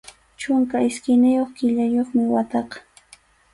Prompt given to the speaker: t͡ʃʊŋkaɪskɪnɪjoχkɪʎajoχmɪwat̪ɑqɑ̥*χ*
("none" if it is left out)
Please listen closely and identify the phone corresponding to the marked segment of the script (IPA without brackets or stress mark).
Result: none